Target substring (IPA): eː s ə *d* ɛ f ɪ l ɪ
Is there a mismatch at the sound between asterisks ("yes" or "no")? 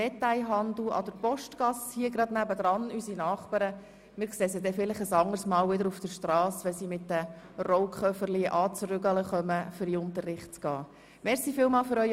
no